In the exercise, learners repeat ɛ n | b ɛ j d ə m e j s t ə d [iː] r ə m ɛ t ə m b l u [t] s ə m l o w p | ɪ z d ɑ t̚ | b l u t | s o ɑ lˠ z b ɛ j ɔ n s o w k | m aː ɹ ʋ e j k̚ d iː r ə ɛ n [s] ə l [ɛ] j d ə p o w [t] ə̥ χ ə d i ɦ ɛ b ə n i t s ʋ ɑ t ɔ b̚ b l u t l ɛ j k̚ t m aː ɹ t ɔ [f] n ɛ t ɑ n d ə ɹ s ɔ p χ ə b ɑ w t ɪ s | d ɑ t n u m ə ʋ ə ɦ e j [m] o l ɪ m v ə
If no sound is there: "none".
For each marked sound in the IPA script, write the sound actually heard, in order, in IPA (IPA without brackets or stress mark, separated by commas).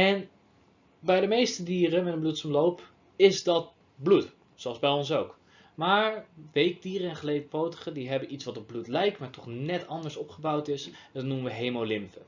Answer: iː, t, χ, e, t, χ, m